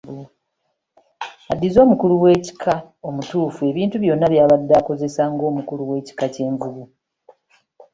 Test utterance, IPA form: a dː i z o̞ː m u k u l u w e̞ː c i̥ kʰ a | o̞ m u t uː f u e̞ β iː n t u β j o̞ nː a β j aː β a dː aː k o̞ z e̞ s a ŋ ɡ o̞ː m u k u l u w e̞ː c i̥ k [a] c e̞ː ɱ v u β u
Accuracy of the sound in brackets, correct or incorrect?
correct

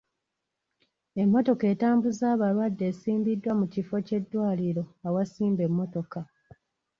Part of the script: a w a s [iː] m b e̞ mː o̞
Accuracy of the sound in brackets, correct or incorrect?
correct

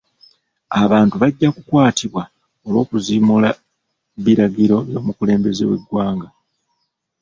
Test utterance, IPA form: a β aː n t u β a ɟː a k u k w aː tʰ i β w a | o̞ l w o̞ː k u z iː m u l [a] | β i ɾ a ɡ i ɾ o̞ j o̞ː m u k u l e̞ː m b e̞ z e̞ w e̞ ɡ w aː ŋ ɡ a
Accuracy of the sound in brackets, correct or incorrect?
correct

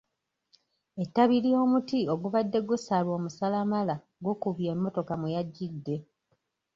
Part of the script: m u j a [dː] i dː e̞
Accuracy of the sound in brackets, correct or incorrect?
incorrect: ɟː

